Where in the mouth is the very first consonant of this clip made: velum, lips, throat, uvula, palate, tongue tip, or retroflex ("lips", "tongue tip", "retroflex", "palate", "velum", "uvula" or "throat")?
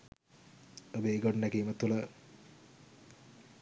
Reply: lips